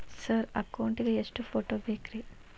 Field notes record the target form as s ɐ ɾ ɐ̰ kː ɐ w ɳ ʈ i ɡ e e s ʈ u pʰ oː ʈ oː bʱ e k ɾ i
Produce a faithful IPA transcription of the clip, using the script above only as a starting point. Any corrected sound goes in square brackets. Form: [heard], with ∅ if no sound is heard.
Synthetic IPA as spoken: s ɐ ɾ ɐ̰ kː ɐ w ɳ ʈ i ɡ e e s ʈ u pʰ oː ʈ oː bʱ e k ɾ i

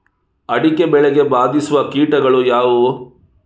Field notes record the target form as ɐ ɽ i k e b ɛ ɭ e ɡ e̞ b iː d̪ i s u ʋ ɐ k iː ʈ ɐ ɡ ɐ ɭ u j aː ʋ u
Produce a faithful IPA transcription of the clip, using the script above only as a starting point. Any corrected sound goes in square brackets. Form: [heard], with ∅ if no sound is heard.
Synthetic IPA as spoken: ɐ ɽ i k e b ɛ ɭ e ɡ e̞ b [aː] d̪ i s u ʋ ɐ k iː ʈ ɐ ɡ ɐ ɭ u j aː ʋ u

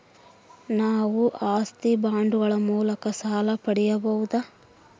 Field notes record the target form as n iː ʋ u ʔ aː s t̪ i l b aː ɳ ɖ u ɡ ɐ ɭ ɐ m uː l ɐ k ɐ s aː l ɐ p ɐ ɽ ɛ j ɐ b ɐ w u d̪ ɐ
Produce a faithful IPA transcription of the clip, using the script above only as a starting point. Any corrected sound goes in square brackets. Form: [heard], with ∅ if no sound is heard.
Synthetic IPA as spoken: n [aː] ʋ u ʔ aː s t̪ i [∅] b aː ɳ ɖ u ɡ ɐ ɭ ɐ m uː l ɐ k ɐ s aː l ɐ p ɐ ɽ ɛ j ɐ b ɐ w u d̪ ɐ

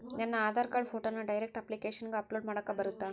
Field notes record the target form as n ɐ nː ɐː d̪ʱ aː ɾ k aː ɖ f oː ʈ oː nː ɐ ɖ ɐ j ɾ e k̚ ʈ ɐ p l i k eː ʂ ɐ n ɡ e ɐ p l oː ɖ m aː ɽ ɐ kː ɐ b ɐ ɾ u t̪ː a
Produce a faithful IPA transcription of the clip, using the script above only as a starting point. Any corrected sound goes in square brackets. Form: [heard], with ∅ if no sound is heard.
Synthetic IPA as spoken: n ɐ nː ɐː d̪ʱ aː ɾ k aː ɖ f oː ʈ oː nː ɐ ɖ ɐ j ɾ e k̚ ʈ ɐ p l i k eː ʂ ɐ n ɡ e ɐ p l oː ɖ m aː ɽ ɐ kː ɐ b ɐ ɾ u t̪ː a

